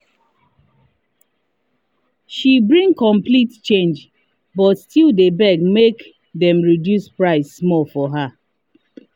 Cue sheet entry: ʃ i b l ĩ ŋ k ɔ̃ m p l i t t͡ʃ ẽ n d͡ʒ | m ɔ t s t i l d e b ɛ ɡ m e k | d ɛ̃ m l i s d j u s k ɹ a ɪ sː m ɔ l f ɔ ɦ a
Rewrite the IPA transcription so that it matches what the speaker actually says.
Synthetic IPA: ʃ i b ɹ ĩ ŋ k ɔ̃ m p l i t t͡ʃ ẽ n d͡ʒ | b ɔ t s t i l d e b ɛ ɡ m e k | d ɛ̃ m ɹ i d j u s p ɹ a ɪ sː m ɔ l f ɔ ɦ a